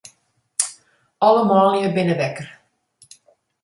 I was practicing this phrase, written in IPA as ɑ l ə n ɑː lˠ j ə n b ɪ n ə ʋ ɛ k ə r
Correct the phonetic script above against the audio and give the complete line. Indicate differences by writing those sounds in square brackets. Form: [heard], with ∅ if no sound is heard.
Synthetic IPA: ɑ l ə [m] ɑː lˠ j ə [∅] b ɪ n ə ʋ ɛ k ə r